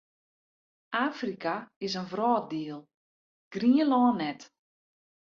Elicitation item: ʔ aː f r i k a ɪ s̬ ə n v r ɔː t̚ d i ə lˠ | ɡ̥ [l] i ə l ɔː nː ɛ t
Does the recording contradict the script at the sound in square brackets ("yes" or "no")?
yes